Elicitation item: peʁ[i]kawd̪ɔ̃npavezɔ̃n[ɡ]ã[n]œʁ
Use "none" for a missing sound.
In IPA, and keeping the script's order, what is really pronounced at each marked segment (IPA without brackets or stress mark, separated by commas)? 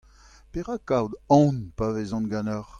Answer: a, ɡ, n